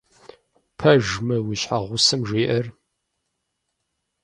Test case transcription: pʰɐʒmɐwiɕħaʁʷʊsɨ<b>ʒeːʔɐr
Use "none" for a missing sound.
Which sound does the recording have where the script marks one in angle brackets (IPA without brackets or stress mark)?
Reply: m